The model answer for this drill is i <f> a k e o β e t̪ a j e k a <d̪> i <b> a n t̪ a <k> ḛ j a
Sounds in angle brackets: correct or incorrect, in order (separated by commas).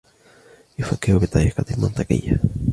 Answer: correct, incorrect, incorrect, correct